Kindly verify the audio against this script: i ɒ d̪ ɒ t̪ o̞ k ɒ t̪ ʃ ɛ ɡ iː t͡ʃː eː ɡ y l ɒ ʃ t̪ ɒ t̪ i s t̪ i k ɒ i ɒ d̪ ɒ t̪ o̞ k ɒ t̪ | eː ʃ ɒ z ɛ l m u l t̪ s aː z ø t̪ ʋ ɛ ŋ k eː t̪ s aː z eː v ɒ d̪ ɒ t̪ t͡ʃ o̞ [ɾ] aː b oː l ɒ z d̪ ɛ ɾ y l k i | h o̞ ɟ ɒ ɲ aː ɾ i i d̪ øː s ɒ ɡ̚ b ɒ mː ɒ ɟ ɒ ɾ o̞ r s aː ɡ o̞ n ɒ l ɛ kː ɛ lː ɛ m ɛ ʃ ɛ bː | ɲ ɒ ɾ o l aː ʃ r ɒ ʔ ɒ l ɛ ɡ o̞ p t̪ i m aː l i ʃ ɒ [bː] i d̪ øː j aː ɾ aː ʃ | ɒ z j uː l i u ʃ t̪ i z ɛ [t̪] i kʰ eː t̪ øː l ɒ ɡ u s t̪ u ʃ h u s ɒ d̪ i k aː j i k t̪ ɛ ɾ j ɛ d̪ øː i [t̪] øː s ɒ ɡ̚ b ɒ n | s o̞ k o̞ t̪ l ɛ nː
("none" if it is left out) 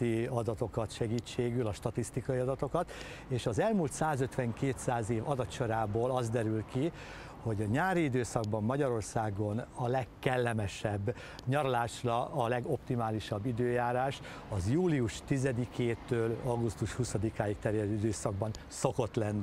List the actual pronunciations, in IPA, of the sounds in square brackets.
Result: ɾ, bː, d̪, d̪

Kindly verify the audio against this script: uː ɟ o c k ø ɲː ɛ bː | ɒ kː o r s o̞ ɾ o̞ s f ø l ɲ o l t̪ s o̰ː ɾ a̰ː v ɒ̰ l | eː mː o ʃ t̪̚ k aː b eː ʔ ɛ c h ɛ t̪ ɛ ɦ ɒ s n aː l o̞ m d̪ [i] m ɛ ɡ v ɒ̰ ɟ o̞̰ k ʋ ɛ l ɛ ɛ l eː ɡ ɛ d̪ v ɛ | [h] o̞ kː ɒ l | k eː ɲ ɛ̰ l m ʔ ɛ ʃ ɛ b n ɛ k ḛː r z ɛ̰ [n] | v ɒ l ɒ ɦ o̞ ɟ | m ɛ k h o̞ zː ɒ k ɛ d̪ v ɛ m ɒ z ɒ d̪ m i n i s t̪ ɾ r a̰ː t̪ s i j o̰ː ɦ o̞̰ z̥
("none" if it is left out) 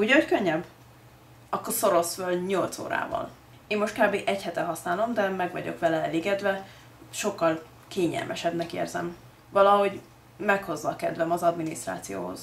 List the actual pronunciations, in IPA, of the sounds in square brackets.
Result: ɛ, ʃ, m

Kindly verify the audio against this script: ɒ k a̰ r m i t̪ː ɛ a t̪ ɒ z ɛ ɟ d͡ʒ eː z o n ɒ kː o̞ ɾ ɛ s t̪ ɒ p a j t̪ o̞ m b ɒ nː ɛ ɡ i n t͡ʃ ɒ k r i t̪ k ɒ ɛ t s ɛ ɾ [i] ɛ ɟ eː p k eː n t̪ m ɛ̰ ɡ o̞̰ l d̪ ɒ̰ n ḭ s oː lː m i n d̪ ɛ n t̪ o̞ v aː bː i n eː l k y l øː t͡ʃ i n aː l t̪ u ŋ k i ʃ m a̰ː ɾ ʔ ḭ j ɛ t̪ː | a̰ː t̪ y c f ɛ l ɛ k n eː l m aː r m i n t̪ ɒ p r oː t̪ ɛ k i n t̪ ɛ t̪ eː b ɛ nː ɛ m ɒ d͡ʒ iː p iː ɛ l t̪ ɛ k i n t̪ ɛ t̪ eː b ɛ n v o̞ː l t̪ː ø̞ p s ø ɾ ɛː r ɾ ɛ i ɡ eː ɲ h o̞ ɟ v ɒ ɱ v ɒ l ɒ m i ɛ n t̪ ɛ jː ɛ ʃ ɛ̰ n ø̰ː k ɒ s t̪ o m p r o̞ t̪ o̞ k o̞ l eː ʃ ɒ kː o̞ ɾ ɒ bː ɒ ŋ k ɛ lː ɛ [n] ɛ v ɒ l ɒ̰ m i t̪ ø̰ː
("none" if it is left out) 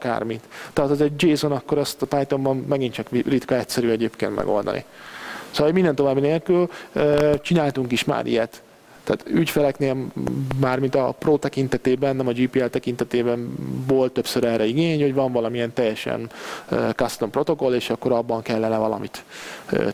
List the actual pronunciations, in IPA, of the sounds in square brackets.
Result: y, n

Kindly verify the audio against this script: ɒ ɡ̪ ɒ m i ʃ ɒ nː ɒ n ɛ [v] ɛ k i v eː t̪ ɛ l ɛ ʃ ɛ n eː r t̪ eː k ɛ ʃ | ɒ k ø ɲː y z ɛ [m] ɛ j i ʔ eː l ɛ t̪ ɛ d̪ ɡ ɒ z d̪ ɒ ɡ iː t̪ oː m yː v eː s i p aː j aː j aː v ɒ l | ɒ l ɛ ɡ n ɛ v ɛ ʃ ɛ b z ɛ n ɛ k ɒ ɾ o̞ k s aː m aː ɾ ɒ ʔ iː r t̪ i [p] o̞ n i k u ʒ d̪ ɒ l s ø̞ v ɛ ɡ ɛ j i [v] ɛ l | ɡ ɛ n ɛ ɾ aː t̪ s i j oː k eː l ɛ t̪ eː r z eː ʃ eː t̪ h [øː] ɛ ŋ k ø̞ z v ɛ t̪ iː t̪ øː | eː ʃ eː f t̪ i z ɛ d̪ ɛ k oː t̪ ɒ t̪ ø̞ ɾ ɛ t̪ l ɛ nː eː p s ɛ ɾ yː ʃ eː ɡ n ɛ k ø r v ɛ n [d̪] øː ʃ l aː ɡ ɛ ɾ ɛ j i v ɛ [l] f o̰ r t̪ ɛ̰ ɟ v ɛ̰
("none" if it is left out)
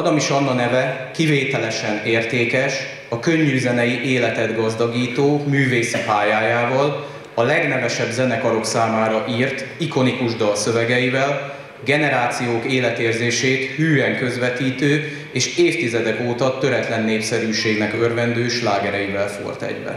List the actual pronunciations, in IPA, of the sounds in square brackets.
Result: v, n, k, v, yː, d̪, l

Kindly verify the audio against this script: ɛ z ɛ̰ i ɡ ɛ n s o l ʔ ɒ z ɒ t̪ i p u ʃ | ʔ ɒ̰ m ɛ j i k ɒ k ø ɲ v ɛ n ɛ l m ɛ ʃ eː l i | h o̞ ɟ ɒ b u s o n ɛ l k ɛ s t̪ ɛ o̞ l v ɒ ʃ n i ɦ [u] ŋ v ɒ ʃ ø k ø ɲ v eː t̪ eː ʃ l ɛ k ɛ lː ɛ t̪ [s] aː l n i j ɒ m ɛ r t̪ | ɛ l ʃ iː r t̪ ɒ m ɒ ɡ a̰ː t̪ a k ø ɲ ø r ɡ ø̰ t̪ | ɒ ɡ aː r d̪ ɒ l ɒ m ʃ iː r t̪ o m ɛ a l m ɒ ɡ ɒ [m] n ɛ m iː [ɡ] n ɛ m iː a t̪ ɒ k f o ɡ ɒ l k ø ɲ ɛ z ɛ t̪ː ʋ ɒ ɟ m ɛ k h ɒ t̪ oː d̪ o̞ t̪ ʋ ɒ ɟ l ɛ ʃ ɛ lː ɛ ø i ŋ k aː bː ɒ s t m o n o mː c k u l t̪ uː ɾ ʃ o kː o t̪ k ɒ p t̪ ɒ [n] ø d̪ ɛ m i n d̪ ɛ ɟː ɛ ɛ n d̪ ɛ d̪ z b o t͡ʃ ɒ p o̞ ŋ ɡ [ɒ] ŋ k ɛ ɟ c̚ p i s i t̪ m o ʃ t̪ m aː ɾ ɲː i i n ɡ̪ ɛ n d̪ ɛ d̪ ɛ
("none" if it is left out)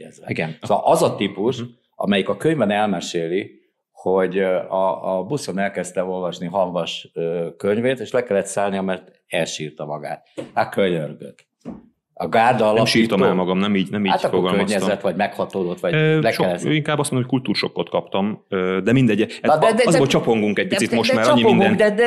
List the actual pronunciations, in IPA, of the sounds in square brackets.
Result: ɒ, s, m, ɟ, m, u

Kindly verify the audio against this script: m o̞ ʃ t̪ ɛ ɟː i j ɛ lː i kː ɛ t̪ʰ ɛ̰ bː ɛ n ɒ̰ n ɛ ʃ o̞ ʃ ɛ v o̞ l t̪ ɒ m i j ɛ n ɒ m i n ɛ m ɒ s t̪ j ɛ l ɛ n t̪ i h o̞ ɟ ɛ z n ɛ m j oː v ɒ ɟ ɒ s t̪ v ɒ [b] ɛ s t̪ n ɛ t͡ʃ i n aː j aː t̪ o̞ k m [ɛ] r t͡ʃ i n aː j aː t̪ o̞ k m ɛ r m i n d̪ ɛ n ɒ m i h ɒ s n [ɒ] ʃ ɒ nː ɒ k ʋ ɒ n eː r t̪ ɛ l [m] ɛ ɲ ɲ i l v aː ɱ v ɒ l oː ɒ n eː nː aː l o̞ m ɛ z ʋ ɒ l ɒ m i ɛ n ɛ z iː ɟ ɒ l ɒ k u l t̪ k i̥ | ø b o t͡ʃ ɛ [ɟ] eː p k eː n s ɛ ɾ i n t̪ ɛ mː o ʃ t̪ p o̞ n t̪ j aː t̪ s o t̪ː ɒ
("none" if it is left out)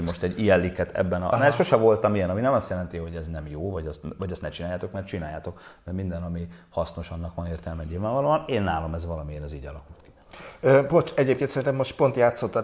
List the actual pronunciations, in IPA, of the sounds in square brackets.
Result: ɟ, ɛ, o, m, ɟ

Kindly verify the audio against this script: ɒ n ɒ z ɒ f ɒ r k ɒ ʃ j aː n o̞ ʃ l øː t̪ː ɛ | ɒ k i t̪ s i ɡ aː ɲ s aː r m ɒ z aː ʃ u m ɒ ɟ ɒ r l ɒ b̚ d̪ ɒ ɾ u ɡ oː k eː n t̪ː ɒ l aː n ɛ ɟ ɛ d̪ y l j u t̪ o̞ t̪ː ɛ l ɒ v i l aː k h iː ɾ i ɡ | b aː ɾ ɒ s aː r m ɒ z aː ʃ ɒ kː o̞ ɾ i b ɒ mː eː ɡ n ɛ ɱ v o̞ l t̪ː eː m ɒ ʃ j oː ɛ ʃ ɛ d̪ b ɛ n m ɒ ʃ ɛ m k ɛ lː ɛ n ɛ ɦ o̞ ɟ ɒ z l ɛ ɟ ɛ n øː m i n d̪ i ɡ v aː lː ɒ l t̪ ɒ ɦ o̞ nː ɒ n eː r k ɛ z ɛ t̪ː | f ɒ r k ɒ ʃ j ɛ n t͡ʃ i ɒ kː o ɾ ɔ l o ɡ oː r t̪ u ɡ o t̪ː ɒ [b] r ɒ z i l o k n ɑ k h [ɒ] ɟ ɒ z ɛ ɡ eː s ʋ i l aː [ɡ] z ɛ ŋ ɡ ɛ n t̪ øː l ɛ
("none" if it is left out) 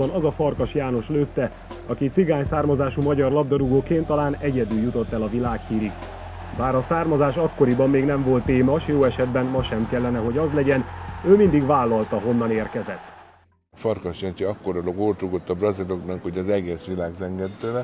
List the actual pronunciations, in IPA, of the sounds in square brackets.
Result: b, o, ɡ

